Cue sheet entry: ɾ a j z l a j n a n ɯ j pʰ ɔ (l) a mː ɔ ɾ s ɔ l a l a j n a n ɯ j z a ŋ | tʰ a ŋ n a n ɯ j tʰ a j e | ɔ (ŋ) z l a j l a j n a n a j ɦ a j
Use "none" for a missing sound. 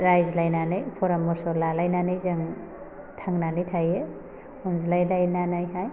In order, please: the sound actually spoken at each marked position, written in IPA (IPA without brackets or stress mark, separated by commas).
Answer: ɾ, n